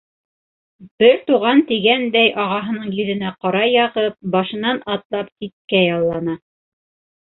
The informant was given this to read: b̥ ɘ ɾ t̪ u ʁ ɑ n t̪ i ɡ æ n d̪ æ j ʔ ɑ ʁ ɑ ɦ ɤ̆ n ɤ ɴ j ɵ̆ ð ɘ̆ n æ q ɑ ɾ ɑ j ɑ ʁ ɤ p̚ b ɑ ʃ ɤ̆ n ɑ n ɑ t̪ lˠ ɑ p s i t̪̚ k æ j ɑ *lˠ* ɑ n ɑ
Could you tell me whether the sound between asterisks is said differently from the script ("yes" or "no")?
yes